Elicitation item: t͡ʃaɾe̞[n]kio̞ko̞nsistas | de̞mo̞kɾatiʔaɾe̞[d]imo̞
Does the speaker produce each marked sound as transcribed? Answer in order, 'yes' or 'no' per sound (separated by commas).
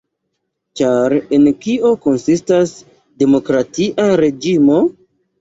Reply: yes, no